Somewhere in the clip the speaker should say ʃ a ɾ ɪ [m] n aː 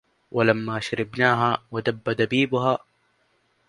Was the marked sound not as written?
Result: yes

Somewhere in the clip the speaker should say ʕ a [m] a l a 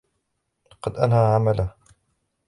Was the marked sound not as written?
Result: no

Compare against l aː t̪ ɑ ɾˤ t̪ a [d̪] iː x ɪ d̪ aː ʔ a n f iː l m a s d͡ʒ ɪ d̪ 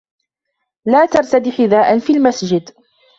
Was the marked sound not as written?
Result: no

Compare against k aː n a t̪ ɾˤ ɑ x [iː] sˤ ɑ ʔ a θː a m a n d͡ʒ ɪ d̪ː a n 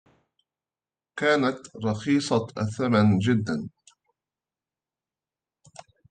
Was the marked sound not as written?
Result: no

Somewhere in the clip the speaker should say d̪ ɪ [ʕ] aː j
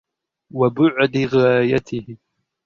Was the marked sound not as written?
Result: yes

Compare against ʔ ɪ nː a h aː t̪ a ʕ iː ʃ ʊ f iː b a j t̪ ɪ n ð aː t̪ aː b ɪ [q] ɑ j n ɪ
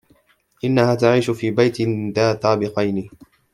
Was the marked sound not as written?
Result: no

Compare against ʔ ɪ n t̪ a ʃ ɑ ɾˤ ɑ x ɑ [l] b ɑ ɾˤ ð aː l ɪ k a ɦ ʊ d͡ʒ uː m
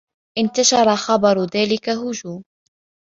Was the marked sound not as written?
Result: yes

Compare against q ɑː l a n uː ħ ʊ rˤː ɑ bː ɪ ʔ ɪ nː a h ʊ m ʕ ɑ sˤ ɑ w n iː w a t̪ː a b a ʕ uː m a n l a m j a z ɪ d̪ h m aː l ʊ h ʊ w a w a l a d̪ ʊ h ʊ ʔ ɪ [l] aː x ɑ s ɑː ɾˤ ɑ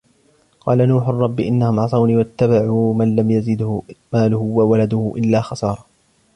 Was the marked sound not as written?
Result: yes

